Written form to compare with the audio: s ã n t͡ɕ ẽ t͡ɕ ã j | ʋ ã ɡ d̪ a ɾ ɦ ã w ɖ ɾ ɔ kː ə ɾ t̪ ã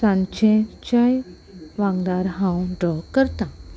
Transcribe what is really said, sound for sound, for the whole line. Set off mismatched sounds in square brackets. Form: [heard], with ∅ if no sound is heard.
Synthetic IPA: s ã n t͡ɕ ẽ t͡ɕ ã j | ʋ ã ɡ d̪ a ɾ ɦ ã w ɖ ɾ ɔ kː ə ɾ t̪ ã